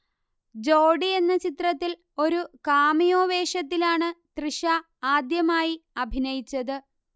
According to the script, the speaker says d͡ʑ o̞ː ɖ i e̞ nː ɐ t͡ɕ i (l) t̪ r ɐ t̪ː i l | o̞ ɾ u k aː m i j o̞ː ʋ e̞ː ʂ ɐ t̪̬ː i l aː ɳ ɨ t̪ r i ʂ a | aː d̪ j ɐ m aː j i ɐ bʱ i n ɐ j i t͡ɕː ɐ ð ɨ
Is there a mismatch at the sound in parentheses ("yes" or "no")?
yes